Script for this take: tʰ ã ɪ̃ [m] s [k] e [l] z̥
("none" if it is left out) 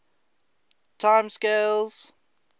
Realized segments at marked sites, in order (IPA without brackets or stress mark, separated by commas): m, k, l